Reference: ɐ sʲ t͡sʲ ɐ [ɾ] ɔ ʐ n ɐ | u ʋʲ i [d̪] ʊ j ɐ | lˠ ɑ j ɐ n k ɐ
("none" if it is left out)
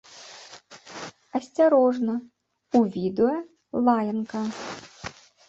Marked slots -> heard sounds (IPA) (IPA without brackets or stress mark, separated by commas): ɾ, d̪